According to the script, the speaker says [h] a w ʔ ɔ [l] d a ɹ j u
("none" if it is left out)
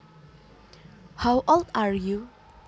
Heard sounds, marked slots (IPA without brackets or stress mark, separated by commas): h, l